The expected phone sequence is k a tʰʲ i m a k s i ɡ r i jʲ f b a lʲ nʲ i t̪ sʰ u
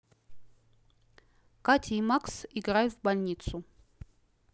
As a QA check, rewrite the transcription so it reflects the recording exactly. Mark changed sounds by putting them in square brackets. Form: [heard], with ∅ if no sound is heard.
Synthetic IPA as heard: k a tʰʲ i m a k s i ɡ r [a] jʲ [v] b a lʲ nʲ i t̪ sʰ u